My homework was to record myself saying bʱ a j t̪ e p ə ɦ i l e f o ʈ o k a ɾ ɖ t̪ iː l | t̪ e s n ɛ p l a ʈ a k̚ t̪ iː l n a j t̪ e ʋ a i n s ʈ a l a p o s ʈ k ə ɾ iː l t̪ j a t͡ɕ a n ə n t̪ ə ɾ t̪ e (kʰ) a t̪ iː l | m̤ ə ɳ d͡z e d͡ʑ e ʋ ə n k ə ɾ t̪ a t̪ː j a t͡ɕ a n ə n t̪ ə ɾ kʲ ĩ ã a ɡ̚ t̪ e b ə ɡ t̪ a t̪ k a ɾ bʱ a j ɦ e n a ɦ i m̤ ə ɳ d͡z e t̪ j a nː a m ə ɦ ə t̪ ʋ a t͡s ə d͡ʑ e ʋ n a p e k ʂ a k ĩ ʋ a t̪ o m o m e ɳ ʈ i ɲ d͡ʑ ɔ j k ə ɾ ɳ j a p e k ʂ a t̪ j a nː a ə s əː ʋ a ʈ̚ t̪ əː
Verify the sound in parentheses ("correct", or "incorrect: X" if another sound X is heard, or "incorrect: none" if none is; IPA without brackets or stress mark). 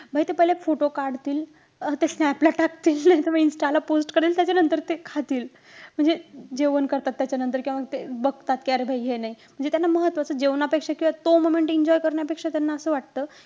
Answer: correct